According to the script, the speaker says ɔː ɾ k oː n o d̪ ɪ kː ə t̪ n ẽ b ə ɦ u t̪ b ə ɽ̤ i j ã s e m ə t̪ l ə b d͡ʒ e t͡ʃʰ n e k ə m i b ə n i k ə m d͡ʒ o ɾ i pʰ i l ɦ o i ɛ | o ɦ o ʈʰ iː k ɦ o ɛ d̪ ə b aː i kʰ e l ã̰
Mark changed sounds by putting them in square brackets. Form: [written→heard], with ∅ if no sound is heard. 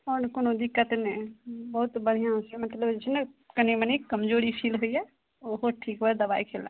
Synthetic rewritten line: ɔː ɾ k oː n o d̪ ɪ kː ə t̪ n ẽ b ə ɦ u t̪ b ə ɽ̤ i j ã s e m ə t̪ l ə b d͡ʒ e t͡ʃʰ n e k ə [m→n] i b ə n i k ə m d͡ʒ o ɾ i pʰ i l ɦ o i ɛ | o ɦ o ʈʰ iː k ɦ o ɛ d̪ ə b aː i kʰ e l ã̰